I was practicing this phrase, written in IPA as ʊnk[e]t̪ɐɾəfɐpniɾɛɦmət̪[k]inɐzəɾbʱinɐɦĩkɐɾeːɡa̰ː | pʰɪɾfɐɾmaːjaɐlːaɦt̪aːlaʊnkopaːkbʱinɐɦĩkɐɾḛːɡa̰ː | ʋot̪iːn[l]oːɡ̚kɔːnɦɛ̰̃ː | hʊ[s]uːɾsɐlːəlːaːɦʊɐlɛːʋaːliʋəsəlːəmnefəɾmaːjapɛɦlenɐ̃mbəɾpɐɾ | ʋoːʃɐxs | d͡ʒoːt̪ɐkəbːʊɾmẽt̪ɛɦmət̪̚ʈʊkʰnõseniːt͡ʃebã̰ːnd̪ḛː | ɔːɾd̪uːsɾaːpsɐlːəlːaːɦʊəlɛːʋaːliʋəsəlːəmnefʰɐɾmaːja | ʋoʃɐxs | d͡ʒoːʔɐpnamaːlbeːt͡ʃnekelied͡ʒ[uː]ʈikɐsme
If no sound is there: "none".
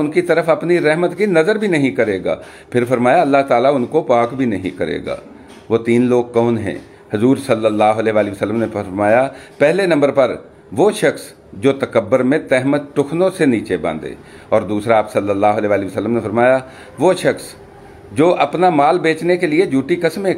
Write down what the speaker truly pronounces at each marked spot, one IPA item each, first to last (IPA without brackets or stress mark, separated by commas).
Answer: i, k, l, z, uː